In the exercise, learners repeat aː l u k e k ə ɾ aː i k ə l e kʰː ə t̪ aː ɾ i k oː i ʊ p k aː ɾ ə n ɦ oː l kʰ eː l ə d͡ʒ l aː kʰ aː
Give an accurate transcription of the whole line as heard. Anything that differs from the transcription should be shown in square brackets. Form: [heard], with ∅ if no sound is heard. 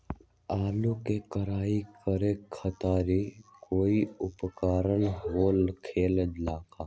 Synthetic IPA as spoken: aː l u k e k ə ɾ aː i k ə [ɾ] e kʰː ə t̪ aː ɾ i k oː i ʊ p k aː ɾ ə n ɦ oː l kʰ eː l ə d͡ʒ l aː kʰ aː